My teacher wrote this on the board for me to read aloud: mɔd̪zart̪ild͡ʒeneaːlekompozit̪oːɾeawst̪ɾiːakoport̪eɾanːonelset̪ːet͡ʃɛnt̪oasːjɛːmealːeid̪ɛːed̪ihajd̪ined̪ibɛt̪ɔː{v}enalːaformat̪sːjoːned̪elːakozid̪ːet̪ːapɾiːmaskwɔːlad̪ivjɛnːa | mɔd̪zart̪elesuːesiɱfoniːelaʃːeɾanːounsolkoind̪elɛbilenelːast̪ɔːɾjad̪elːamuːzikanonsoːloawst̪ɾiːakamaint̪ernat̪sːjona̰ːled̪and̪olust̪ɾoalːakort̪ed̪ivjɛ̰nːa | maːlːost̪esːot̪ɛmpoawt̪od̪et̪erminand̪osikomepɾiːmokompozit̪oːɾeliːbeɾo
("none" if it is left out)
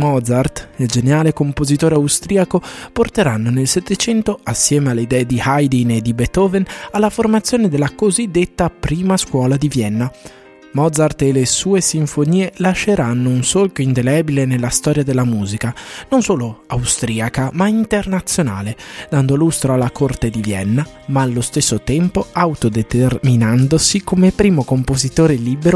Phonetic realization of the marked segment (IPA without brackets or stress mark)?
v